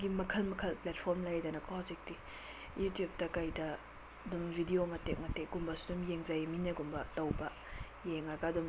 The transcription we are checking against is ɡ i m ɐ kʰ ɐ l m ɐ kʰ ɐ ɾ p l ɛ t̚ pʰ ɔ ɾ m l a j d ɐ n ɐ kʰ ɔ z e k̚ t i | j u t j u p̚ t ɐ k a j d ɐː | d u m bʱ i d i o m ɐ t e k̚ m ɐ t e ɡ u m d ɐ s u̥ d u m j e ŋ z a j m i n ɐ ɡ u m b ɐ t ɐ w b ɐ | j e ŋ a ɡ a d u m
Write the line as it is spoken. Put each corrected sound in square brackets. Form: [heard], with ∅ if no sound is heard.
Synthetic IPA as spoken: ɡ i m ɐ kʰ ɐ l m ɐ kʰ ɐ [l] p l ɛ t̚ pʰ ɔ ɾ m l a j d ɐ n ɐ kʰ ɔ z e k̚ t i | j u t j u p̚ t ɐ k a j d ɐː | d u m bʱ i d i o m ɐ t e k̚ m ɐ t e ɡ u m [b] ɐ s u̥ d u m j e ŋ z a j m i n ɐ ɡ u m b ɐ t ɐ w b ɐ | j e ŋ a ɡ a d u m